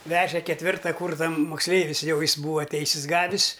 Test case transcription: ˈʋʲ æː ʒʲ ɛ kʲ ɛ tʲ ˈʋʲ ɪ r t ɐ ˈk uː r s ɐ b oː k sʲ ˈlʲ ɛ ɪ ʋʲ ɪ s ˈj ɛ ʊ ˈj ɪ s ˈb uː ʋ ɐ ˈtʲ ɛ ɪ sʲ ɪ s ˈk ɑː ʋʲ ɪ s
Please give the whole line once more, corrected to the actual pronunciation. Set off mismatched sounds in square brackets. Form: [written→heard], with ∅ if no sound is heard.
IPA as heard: ˈʋʲ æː ʒʲ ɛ kʲ ɛ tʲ ˈʋʲ ɪ r t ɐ ˈk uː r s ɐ [b→m] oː k sʲ ˈlʲ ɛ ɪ ʋʲ ɪ s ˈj ɛ ʊ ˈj ɪ s ˈb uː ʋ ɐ ˈtʲ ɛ ɪ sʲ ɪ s [ˈk→ˈɡ] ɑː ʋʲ ɪ s